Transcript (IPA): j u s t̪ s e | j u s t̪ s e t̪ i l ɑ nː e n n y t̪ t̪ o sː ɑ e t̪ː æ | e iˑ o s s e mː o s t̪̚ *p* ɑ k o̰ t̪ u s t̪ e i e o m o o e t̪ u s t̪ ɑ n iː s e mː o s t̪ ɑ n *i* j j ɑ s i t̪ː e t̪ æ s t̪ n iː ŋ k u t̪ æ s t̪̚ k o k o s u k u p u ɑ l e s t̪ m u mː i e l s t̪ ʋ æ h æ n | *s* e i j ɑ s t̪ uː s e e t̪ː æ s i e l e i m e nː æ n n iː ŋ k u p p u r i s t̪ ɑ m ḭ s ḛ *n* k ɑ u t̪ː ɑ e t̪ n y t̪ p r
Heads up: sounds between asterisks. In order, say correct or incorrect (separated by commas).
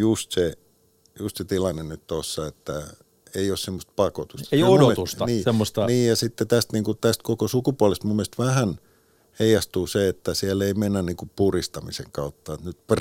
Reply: correct, incorrect, incorrect, incorrect